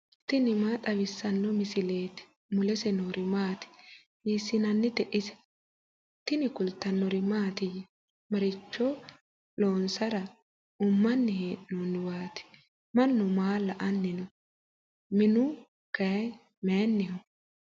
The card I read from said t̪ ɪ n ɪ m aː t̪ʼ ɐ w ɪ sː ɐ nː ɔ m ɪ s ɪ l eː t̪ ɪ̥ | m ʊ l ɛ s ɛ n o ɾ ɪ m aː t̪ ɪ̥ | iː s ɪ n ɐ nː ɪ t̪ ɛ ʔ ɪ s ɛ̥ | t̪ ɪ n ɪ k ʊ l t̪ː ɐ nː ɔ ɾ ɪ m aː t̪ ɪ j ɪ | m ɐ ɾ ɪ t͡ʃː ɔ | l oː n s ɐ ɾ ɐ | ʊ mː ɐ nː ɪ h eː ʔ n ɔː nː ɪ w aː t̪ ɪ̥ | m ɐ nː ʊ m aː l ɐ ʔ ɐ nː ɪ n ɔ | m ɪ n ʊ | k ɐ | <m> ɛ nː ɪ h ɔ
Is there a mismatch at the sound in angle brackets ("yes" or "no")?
no